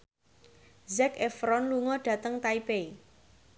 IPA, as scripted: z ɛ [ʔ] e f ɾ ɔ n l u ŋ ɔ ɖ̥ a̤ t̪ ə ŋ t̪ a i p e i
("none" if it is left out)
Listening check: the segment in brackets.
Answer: k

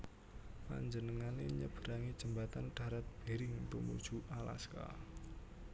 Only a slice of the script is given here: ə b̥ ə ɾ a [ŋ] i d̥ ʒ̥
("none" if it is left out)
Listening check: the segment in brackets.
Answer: ŋ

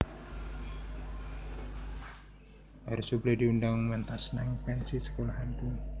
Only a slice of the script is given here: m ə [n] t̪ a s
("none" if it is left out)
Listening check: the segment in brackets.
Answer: n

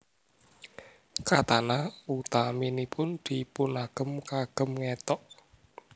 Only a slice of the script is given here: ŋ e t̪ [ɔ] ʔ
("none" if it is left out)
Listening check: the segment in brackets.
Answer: ɔ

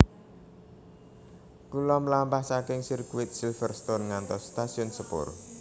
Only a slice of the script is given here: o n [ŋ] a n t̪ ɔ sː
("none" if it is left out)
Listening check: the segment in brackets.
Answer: ŋ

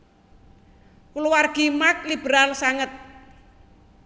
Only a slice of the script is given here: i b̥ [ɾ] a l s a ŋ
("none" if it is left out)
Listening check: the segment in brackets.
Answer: ɾ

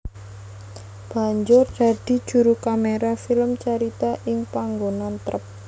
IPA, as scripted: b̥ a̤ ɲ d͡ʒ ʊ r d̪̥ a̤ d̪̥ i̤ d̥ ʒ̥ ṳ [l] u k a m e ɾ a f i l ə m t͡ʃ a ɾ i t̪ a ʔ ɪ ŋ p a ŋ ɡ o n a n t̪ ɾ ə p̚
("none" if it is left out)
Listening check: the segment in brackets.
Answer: ɾ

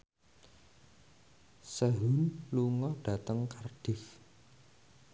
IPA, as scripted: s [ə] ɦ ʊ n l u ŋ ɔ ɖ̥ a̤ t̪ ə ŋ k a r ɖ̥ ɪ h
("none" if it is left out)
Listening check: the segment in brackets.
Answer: ə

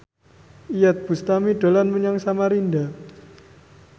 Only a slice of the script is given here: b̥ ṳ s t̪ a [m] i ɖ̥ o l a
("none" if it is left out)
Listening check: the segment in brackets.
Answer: m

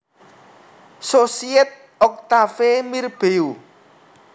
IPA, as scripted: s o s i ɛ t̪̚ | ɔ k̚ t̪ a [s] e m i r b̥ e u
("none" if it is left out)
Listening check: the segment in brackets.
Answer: f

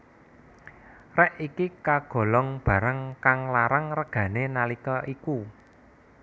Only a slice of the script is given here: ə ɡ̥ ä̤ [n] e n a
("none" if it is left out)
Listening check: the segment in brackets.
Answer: n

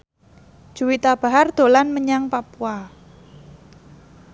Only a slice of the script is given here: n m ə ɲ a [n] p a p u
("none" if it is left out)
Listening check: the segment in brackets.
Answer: ŋ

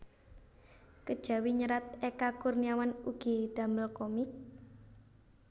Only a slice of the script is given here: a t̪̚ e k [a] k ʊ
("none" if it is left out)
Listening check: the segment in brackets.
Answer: a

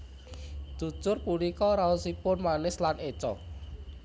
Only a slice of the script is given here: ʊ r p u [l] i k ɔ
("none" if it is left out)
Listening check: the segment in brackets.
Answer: l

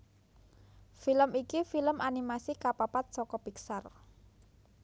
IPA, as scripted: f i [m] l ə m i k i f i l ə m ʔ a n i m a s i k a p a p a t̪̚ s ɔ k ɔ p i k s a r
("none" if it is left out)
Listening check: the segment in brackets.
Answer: none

